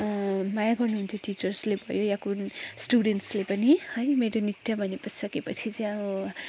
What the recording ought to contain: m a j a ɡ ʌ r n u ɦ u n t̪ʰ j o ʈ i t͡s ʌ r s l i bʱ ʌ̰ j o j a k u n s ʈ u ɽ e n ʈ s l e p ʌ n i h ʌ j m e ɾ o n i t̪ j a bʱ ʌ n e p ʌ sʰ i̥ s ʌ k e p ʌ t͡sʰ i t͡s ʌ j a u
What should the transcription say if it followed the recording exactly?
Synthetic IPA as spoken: m a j a ɡ ʌ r n u ɦ u n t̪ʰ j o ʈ i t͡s ʌ r s l e bʱ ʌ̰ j o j a k u n s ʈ u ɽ e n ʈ s l e p ʌ n i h ʌ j m e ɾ o n i t̪ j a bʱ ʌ n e p ʌ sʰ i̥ s ʌ k e p ʌ t͡sʰ i t͡s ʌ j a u

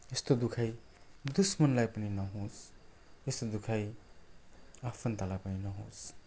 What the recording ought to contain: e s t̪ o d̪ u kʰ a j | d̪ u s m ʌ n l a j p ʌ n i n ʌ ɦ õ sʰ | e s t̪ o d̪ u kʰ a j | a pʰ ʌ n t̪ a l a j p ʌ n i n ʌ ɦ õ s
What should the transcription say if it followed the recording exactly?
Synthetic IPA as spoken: e s t̪ o d̪ u kʰ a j | d̪ u s m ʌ n l a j p ʌ n i n ʌ ɦ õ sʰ | e s t̪ o d̪ u kʰ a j | a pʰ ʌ n t̪ a l a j p ʌ n i n ʌ ɦ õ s

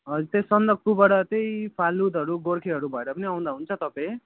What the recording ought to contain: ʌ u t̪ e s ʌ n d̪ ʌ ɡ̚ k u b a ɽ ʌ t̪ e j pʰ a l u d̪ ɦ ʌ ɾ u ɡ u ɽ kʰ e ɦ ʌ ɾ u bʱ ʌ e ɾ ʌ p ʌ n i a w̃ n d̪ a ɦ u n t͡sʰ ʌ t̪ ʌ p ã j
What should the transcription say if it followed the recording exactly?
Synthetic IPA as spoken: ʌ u t̪ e s ʌ n d̪ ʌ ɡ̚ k u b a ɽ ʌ t̪ e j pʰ a l u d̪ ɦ ʌ ɾ u ɡ o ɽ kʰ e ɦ ʌ ɾ u bʱ ʌ e ɾ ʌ p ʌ n i a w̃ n d̪ a ɦ u n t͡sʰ ʌ t̪ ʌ p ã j

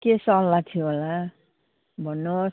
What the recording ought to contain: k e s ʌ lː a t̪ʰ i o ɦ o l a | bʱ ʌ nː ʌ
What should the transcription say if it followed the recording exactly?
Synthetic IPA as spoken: k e s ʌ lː a t̪ʰ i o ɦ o l a | bʱ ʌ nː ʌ

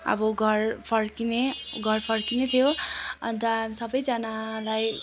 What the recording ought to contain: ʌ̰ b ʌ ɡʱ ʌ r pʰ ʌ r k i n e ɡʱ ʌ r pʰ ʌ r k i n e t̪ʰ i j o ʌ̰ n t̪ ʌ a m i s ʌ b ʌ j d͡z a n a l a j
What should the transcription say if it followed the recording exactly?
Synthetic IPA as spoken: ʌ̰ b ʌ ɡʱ ʌ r pʰ ʌ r k i n e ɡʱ ʌ r pʰ ʌ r k i n e t̪ʰ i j o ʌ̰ n t̪ ʌ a m i s ʌ b ʌ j d͡z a n a l a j

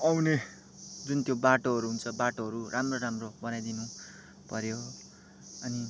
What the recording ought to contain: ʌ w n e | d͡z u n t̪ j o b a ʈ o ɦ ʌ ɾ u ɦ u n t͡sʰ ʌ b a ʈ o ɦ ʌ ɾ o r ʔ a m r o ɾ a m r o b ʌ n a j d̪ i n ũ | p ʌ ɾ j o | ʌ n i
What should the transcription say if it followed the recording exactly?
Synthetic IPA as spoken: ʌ w n e | d͡z u n t̪ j o b a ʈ o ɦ ʌ ɾ u ɦ u n t͡sʰ ʌ b a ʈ o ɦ ʌ ɾ u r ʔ a m r o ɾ a m r o b ʌ n a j d̪ i n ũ | p ʌ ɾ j o | ʌ n i

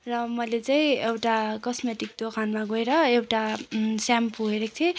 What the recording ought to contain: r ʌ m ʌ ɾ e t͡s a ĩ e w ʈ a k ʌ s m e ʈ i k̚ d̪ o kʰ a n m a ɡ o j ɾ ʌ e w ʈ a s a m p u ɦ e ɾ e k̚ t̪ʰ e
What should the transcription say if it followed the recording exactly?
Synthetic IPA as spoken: r ʌ m ʌ l e t͡s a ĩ e w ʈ a k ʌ s m e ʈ i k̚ d̪ o kʰ a n m a ɡ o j ɾ ʌ e w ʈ a s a m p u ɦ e ɾ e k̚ t̪ʰ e

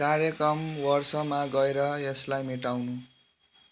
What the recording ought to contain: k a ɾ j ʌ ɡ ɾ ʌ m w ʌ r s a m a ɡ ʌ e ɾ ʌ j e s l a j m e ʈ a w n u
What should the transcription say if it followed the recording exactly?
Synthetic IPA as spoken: k a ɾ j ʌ k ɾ ʌ m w ʌ r s ʌ m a ɡ ʌ e ɾ ʌ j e s l a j m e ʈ a w n u

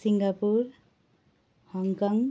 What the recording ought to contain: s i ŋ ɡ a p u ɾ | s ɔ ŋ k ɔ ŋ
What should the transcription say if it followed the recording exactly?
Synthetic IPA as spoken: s i ŋ ɡ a p u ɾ | h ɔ ŋ k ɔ ŋ

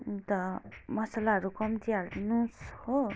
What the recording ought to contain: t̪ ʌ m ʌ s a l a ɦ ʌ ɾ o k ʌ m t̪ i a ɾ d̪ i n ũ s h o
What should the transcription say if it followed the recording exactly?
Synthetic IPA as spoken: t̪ ʌ m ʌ s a l a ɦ ʌ ɾ u k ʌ m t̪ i a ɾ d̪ i n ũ s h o

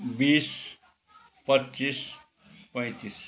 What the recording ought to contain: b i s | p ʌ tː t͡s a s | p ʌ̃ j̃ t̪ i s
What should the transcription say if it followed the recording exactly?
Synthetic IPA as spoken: b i s | p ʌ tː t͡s i s | p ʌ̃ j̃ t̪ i s

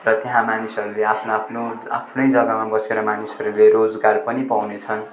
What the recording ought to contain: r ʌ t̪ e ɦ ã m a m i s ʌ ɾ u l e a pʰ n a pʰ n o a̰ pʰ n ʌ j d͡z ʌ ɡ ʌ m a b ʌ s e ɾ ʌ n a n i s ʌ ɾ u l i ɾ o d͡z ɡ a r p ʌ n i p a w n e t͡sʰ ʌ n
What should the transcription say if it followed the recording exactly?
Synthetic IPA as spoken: r ʌ t̪ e ɦ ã m a n i s ʌ ɾ u l e a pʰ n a pʰ n o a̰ pʰ n ʌ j d͡z ʌ ɡ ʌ m a b ʌ s e ɾ ʌ m a n i s ʌ ɾ u l e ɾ o d͡z ɡ a r p ʌ n i p a w n e t͡sʰ ʌ n

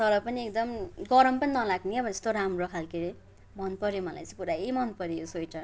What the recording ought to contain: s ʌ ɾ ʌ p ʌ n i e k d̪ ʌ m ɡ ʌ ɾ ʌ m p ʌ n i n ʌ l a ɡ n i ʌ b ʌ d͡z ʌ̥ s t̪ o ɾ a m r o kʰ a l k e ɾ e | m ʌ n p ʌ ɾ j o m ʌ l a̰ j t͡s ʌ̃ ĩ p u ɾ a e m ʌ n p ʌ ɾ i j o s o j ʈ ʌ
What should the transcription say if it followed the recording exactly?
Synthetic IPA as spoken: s ʌ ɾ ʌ p ʌ n i e k d̪ ʌ m ɡ ʌ ɾ ʌ m p ʌ n i n ʌ l a ɡ n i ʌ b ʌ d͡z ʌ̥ s t̪ o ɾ a m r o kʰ a l k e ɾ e | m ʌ n p ʌ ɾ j o m ʌ l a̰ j t͡s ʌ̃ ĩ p u ɾ a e m ʌ n p ʌ ɾ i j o s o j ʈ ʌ

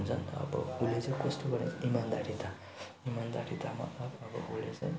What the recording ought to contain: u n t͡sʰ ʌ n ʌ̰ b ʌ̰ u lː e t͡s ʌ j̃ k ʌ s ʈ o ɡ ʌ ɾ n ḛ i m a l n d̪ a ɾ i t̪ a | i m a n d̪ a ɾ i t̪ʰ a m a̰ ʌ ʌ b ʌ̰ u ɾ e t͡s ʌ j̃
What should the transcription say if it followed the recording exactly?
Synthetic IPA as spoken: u n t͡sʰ ʌ n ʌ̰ b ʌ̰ u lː e t͡s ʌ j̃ k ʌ s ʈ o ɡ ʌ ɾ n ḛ i m a n d̪ a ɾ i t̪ a | i m a n d̪ a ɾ i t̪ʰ a m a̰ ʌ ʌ b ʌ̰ u l e t͡s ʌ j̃

